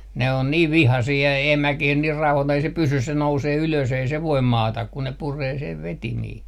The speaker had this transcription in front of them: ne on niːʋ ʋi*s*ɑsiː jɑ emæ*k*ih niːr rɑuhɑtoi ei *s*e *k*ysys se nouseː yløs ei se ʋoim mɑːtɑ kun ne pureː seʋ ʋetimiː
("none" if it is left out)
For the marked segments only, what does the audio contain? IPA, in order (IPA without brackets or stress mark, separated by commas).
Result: h, k, s, p